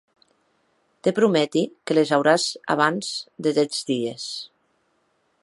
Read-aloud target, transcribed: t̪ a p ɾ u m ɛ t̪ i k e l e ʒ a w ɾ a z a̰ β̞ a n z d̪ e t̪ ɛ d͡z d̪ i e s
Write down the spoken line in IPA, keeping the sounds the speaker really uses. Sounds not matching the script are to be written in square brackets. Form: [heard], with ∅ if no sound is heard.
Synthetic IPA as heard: t̪ [e] p ɾ u m ɛ t̪ i k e l e [z] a w ɾ a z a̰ β̞ a n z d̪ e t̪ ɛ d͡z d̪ i e s